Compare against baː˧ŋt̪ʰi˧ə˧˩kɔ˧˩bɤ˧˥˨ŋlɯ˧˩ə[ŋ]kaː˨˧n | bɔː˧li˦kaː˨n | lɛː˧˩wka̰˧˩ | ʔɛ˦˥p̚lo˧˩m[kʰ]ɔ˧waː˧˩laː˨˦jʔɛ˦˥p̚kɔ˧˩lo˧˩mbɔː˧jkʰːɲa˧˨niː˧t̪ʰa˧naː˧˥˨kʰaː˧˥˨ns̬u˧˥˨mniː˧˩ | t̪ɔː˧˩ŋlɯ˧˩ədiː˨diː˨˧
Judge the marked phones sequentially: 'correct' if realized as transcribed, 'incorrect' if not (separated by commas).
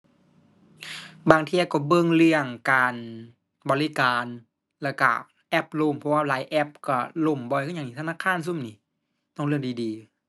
correct, incorrect